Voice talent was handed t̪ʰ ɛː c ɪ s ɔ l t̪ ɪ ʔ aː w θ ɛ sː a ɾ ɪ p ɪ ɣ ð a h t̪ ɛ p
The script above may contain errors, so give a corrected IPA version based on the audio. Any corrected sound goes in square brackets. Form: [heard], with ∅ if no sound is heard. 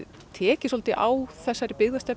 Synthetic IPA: t̪ʰ ɛː c ɪ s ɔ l t̪ ɪ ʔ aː w θ ɛ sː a ɾ ɪ p ɪ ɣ ð a [s] t̪ ɛ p